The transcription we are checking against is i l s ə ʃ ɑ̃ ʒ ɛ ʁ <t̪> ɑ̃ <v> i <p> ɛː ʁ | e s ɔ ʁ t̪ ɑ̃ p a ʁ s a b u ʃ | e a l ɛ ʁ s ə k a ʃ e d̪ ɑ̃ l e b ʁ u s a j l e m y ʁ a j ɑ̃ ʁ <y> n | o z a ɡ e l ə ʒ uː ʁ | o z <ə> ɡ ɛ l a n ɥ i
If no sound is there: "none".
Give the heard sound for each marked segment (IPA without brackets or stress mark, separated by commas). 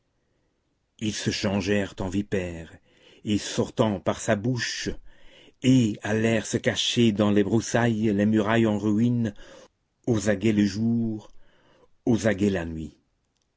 t̪, v, p, i, a